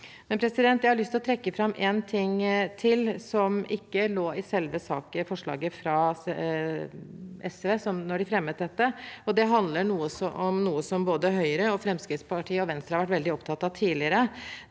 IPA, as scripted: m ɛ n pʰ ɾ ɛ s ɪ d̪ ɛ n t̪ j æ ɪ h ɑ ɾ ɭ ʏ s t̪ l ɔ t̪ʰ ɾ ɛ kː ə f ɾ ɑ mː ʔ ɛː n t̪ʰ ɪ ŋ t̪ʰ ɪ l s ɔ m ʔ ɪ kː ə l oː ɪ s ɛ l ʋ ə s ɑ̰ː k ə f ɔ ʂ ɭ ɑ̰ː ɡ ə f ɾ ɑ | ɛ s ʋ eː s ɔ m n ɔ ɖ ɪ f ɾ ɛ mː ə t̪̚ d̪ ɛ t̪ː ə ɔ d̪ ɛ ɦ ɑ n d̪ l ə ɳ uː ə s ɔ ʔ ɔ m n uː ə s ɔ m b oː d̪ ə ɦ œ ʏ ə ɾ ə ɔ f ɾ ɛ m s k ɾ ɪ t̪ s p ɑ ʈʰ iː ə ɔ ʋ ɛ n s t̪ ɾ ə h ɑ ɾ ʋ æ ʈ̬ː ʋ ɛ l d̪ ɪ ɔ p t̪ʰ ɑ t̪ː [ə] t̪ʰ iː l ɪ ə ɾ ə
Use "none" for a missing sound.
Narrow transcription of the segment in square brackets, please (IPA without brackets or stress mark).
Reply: ɑ